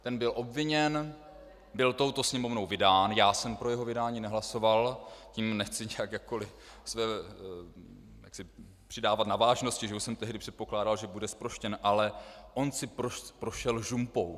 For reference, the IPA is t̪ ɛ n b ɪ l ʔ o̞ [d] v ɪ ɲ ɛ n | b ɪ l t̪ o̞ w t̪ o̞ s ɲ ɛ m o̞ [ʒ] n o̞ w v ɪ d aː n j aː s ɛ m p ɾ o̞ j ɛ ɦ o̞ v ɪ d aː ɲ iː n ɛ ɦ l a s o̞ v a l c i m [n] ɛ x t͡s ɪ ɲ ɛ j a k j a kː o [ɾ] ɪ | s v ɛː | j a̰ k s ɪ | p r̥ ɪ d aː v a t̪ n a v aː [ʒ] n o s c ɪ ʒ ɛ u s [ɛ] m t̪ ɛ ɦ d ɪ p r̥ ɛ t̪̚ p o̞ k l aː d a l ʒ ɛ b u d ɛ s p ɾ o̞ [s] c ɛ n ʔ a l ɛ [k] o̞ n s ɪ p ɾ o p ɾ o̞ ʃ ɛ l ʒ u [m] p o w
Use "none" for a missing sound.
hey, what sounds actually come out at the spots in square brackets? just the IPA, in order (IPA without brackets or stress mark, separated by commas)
b, v, n, l, ʒ, ɛ, ʃ, ʔ, m